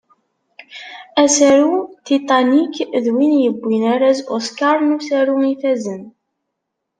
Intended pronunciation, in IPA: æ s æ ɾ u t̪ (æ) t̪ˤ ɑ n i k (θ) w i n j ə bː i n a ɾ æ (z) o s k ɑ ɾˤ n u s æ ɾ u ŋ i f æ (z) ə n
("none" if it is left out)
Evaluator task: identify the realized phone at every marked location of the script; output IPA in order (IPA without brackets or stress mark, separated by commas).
i, ð, z, z